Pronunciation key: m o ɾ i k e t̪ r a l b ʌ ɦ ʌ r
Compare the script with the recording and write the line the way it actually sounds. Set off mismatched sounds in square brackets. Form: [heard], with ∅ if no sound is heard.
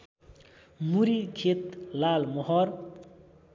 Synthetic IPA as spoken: m [u] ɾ i [kʰ] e t̪ [l] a l [m] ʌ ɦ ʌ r